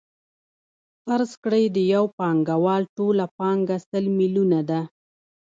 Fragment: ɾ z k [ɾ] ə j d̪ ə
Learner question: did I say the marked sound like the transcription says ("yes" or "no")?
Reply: no